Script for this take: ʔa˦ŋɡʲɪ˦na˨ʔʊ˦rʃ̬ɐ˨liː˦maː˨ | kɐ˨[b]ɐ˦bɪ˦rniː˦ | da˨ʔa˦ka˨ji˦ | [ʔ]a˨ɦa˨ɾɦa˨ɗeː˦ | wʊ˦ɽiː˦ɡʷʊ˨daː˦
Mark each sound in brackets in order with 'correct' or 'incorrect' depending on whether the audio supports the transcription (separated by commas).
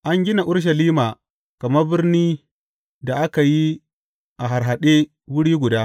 incorrect, correct